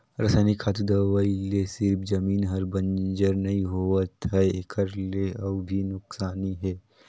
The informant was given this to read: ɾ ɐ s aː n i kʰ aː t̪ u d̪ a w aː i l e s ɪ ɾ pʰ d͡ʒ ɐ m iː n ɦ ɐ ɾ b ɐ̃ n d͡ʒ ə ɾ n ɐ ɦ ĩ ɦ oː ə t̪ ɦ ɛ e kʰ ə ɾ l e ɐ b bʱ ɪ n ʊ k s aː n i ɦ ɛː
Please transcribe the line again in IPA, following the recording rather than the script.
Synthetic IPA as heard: ɾ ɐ s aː n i kʰ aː t̪ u d̪ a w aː i l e s ɪ ɾ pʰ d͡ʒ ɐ m iː n ɦ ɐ ɾ b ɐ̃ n d͡ʒ ə ɾ n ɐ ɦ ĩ ɦ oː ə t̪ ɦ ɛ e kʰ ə ɾ l e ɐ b bʱ i n ʊ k s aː n i ɦ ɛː